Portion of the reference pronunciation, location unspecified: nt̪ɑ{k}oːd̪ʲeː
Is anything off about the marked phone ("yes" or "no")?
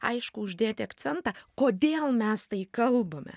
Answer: no